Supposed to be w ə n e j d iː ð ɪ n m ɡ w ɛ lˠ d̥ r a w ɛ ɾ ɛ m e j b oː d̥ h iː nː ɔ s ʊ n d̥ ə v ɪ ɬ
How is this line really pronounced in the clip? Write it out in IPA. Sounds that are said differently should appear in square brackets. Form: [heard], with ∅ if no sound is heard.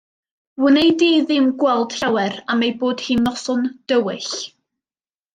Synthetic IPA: w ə n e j d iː ð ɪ [∅] m ɡ w ɛ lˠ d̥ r a w ɛ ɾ [a] m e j b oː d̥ h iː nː ɔ s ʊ n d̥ ə [w] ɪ ɬ